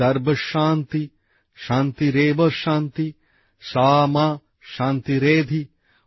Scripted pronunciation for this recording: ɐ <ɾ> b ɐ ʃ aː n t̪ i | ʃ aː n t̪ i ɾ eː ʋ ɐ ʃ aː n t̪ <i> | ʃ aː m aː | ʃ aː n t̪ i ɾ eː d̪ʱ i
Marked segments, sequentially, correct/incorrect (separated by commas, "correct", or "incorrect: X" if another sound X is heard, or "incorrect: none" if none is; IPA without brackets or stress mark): correct, correct